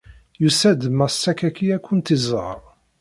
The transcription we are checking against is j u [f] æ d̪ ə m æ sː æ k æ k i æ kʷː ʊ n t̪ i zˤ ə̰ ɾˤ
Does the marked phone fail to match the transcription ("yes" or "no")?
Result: yes